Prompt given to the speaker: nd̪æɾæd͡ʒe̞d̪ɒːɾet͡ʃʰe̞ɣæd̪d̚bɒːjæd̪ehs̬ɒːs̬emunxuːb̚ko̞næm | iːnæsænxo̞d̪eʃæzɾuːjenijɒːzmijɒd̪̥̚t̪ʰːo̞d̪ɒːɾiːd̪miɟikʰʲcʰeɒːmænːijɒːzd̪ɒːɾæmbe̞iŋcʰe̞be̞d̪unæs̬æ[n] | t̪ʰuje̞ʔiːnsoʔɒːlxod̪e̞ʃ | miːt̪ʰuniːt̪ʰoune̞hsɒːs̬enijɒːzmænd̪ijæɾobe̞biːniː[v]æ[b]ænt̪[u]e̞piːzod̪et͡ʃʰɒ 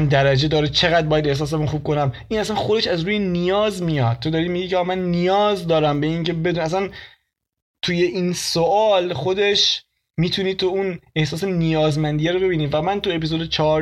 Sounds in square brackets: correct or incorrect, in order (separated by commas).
correct, correct, incorrect, correct